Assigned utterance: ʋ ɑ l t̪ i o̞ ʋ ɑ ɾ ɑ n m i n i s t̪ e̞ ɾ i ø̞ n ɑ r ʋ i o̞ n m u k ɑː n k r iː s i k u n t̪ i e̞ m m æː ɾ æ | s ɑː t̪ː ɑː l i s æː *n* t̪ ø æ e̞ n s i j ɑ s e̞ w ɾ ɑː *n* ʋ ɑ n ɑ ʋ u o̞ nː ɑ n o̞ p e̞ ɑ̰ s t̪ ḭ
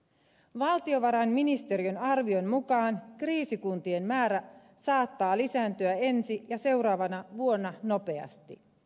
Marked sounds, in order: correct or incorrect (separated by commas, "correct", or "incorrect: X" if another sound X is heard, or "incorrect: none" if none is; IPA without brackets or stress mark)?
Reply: correct, incorrect: none